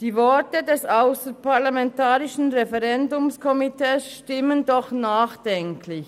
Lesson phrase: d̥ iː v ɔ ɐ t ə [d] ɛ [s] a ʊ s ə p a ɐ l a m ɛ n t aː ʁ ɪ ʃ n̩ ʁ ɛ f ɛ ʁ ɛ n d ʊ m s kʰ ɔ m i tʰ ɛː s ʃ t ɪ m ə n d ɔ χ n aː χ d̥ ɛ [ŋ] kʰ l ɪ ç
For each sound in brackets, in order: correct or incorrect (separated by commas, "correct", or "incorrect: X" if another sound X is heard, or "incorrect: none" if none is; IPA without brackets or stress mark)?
correct, correct, correct